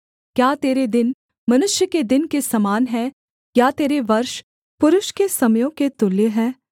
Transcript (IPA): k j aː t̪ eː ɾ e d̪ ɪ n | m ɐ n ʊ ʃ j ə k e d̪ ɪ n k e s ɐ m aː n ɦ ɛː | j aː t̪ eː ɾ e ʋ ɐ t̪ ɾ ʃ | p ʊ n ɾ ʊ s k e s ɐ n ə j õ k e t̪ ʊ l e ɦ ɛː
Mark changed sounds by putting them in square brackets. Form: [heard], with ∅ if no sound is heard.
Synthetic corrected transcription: k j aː t̪ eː ɾ e d̪ ɪ n | m ɐ n ʊ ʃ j ə k e d̪ ɪ n k e s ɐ m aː n ɦ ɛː | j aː t̪ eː ɾ e ʋ ɐ [∅] ɾ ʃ | p ʊ [∅] ɾ ʊ [ʃ] k e s ɐ [m] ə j õ k e t̪ ʊ l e ɦ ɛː